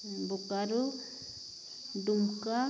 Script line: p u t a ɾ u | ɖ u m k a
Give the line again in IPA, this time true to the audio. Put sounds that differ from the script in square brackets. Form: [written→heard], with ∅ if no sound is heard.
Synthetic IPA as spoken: [p→b] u [t→k] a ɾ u | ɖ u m k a